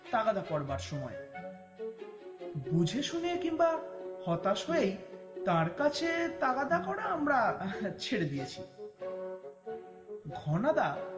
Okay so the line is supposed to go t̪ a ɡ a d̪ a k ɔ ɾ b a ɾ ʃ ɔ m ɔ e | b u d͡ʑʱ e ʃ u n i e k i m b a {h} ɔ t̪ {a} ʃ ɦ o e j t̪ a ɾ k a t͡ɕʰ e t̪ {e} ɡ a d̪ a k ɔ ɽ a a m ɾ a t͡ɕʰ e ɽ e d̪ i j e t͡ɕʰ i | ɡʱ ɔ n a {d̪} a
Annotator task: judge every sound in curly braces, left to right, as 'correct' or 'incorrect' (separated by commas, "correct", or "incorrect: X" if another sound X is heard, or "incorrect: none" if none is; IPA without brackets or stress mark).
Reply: correct, correct, incorrect: a, correct